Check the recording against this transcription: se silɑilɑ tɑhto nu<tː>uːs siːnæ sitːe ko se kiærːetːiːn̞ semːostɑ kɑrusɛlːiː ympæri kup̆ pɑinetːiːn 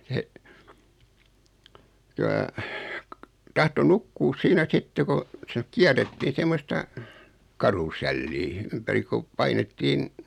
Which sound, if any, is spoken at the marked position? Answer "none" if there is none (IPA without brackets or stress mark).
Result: kː